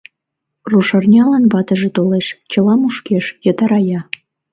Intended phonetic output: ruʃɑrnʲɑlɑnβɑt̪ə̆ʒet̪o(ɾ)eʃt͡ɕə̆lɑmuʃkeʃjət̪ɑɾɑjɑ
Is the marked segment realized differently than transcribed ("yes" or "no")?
yes